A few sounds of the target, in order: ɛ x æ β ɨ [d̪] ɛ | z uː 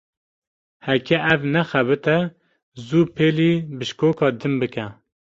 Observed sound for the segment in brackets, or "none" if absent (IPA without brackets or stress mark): t̪